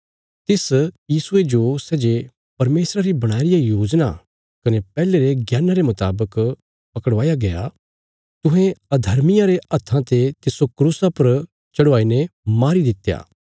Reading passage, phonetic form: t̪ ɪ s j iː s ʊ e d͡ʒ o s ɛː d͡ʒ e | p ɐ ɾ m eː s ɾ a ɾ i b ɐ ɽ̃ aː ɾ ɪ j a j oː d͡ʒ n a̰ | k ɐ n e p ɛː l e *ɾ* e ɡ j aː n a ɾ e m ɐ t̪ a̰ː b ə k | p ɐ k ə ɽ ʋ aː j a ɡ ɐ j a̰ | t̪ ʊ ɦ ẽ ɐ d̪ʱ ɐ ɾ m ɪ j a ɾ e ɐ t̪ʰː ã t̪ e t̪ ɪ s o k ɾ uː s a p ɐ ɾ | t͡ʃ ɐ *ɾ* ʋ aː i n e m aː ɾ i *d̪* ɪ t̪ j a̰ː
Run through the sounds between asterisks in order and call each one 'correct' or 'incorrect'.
correct, incorrect, correct

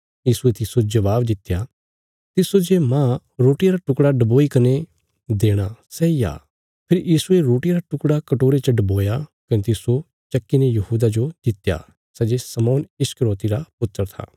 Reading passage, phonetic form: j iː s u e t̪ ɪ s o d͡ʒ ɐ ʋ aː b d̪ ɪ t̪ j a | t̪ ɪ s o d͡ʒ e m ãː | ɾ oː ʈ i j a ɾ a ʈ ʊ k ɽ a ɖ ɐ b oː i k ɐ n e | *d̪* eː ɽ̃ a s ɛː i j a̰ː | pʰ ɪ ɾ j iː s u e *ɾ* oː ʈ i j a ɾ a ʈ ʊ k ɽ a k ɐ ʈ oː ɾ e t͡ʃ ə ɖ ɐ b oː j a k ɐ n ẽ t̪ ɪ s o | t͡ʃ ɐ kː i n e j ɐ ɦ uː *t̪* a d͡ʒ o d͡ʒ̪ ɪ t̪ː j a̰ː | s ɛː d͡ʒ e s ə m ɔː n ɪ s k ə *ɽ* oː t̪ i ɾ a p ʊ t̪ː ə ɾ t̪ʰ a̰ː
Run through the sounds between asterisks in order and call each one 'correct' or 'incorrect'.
correct, correct, incorrect, incorrect

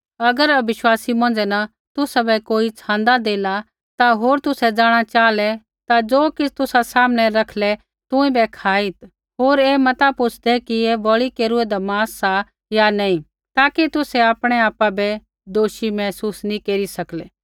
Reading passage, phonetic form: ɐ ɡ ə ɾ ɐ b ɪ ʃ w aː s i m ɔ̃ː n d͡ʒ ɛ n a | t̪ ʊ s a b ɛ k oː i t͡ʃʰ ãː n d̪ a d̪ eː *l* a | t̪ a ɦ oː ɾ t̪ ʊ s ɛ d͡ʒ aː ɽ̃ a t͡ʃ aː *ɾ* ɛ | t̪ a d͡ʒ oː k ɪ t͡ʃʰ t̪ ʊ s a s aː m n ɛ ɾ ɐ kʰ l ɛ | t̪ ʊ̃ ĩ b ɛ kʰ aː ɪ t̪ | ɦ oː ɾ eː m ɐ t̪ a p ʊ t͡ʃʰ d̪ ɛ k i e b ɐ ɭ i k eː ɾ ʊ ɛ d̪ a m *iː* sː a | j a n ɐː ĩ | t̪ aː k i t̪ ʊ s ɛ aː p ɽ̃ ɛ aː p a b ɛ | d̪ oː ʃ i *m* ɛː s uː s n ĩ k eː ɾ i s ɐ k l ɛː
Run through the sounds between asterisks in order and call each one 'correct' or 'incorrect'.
correct, incorrect, incorrect, correct

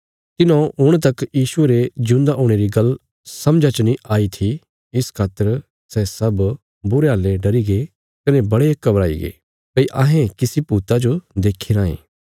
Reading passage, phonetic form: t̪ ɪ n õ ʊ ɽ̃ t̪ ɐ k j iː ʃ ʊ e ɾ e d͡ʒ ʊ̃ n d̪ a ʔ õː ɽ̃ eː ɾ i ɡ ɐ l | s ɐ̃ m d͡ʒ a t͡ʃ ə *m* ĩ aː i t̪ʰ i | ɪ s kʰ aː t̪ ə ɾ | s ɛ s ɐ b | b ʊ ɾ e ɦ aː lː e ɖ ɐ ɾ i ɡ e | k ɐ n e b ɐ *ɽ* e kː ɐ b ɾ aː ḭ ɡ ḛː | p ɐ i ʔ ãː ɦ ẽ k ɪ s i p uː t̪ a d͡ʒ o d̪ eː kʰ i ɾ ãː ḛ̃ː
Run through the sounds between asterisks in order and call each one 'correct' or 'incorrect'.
incorrect, correct

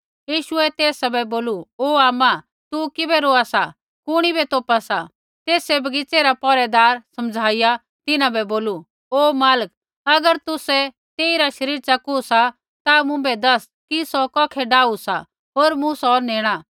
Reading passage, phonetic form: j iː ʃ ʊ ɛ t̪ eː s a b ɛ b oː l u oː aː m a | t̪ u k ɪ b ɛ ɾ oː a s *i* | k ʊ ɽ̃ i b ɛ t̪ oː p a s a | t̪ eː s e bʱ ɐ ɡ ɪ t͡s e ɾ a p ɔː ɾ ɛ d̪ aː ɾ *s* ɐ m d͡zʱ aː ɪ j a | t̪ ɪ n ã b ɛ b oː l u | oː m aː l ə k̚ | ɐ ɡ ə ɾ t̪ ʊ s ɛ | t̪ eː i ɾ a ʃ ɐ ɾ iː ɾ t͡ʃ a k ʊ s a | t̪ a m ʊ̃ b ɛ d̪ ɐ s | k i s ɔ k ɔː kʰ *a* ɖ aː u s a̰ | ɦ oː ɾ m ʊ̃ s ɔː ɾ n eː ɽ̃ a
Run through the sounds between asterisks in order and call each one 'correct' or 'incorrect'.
incorrect, correct, incorrect

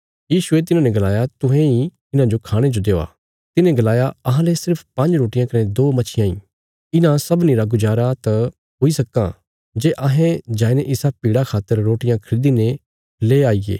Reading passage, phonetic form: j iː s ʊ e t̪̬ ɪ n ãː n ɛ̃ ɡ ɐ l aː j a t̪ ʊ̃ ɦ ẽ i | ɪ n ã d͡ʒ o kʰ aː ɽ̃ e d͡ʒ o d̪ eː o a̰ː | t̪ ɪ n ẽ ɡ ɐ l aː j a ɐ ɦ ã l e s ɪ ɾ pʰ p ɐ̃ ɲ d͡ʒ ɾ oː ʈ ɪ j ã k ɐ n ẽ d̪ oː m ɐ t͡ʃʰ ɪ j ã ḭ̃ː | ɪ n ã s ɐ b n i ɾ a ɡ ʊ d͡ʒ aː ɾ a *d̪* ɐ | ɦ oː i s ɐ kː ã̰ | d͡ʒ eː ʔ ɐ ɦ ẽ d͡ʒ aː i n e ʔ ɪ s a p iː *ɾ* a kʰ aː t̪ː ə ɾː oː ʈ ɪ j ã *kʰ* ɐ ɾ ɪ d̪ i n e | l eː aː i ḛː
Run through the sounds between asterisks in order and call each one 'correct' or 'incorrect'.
incorrect, incorrect, correct

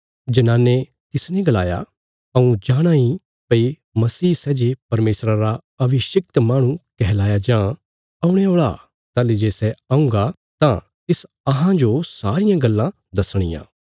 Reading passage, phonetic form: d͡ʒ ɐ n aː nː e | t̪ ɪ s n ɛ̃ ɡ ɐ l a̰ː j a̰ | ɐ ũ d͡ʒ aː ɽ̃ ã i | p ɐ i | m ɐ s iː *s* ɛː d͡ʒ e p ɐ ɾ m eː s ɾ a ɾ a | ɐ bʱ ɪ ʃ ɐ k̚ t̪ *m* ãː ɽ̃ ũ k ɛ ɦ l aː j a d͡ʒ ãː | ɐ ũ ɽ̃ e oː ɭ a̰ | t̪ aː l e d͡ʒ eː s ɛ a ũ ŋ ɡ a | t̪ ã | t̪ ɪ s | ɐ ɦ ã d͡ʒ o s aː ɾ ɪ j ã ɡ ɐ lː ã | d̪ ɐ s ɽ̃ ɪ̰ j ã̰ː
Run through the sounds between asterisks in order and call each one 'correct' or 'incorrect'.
correct, correct

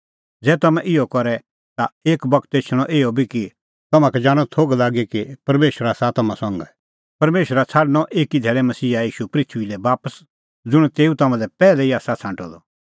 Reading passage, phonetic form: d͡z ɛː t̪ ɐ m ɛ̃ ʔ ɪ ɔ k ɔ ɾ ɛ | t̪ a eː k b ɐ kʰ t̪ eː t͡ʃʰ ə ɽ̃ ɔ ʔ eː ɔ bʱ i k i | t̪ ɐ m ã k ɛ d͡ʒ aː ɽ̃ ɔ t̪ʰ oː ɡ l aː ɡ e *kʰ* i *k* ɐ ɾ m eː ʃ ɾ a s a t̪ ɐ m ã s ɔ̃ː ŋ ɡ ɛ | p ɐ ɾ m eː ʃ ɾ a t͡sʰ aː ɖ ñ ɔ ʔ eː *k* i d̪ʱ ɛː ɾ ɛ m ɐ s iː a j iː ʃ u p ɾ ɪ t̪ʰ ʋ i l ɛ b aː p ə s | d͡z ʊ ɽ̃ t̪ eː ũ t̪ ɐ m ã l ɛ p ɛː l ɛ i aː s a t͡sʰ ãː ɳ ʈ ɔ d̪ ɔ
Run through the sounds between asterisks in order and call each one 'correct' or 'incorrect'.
incorrect, incorrect, correct

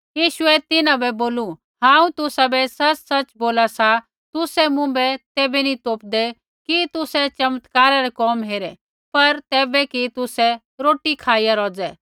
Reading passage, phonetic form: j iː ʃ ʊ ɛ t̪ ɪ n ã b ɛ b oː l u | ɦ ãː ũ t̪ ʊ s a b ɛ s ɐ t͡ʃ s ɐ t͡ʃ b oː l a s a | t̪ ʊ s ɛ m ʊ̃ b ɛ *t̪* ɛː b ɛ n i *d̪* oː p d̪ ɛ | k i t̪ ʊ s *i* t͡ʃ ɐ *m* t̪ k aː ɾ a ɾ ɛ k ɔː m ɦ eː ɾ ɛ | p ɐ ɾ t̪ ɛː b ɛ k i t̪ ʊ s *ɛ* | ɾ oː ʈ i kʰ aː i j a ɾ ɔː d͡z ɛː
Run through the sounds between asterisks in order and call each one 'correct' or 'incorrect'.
correct, incorrect, incorrect, correct, correct

